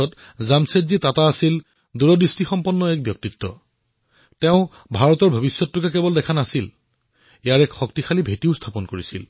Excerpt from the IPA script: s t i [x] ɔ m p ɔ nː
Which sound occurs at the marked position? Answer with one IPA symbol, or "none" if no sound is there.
x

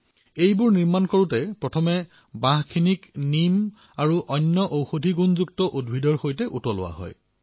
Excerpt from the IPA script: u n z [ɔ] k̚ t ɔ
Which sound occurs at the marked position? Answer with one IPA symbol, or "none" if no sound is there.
u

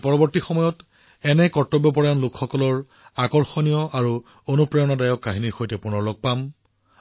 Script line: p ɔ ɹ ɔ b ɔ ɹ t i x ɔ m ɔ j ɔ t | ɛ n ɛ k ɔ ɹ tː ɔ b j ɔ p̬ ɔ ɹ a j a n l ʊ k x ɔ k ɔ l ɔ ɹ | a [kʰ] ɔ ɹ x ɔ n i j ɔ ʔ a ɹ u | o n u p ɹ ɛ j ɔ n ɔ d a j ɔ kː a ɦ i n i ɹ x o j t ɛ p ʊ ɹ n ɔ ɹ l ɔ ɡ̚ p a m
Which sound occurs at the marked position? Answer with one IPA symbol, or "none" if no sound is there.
k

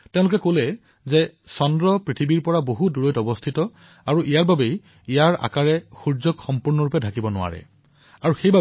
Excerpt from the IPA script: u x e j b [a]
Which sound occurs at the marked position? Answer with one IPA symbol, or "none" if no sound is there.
a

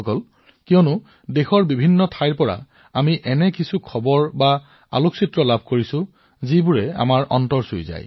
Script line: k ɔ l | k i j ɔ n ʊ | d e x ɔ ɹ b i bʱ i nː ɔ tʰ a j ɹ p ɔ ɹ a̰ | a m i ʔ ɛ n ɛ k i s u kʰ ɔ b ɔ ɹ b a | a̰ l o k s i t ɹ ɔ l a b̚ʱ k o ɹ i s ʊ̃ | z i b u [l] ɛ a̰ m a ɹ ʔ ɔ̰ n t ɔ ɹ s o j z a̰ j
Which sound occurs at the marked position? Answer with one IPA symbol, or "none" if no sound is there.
ɹ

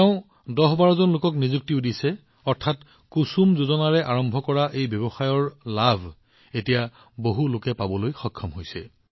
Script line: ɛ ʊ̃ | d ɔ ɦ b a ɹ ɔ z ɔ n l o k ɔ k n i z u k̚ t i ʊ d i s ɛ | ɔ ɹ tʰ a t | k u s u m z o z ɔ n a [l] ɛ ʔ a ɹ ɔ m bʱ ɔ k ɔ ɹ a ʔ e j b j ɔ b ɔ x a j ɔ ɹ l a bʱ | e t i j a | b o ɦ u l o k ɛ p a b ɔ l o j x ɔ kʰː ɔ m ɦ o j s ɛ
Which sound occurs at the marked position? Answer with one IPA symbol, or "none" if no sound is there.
ɹ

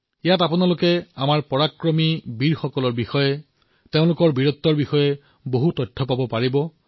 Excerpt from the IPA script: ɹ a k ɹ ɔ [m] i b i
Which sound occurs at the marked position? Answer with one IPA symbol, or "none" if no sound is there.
m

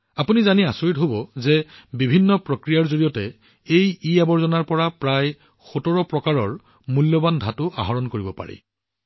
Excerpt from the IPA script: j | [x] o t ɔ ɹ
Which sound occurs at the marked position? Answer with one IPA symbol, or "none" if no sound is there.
x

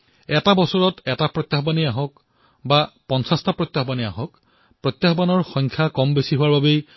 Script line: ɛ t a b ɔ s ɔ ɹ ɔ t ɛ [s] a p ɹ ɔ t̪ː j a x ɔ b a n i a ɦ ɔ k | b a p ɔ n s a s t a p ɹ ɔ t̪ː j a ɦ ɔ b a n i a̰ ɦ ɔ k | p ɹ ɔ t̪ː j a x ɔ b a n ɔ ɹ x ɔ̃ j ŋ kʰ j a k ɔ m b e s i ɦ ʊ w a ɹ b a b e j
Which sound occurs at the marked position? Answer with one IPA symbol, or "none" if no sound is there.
t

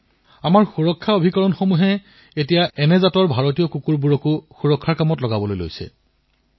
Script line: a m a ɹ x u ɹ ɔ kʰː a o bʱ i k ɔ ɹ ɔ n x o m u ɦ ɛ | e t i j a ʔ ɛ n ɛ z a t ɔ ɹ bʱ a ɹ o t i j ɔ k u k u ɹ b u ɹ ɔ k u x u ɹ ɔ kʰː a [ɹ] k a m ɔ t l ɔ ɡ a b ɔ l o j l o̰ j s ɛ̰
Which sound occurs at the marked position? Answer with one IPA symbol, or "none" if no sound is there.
ɹ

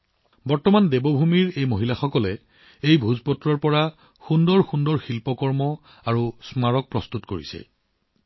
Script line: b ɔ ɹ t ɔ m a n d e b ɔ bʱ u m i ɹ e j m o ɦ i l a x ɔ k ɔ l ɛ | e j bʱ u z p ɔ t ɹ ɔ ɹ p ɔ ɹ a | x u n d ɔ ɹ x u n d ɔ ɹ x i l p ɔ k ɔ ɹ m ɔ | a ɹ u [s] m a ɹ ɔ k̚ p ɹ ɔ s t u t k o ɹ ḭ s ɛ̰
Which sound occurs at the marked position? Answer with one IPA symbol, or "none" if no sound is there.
s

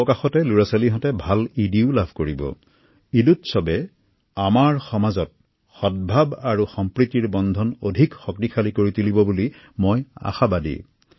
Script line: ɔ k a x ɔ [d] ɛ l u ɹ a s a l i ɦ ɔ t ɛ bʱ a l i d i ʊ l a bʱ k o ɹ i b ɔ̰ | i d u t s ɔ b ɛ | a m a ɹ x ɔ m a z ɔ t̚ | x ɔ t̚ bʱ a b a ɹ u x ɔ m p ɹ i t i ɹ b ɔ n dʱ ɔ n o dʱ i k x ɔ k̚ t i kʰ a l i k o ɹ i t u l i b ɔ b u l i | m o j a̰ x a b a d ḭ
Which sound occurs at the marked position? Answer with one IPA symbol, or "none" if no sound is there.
t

